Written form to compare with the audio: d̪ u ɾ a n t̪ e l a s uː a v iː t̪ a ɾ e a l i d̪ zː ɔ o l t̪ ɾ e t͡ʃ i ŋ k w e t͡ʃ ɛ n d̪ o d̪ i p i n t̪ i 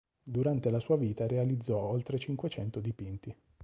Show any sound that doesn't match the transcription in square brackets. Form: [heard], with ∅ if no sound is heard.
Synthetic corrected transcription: d̪ u ɾ a n t̪ e l a s uː a v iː t̪ a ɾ e a l i d̪ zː ɔ o l t̪ ɾ e t͡ʃ i ŋ k w e t͡ʃ ɛ n [t̪] o d̪ i p i n t̪ i

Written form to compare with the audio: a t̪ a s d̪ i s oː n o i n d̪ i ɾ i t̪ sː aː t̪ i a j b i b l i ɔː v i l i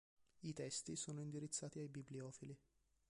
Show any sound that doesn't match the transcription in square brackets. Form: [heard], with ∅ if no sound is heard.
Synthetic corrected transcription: [i] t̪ [ɛ] s [t̪] i s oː n o i n d̪ i ɾ i t̪ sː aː t̪ i a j b i b l i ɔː [f] i l i

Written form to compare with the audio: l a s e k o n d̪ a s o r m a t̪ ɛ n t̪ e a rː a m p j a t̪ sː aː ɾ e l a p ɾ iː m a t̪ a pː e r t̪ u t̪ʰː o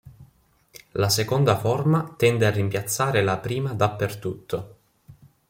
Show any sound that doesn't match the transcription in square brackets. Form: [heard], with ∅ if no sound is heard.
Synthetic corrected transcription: l a s e k o n d̪ a [f] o r m a t̪ ɛ n [d̪] e a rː [i] m p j a t̪ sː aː ɾ e l a p ɾ iː m a [d̪] a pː e r t̪ u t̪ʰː o

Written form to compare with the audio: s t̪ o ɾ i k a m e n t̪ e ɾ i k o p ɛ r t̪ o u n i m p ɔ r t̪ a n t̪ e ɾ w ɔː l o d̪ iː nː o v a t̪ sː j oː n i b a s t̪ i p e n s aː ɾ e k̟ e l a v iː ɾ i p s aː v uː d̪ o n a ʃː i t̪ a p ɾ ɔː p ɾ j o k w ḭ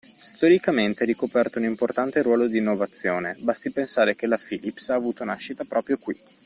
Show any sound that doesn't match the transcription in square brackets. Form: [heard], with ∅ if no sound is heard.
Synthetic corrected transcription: s t̪ o ɾ i k a m e n t̪ e ɾ i k o p ɛ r t̪ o u n i m p [o] r t̪ a n t̪ e ɾ w ɔː l o d̪ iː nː o v a t̪ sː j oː n [e] b a s t̪ i p e n s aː ɾ e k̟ e l a [f] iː [l] i p s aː v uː [t̪] o n a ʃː i t̪ a p ɾ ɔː p ɾ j o k w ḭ

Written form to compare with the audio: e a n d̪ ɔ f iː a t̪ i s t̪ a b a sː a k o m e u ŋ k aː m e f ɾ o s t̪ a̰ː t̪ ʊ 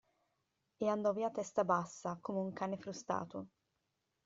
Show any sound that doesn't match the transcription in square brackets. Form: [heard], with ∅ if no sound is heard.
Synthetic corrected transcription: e a n d̪ ɔ [v] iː a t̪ [ɛ] s t̪ a b a sː a k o m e u ŋ k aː [n] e f ɾ [u] s t̪ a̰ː t̪ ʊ

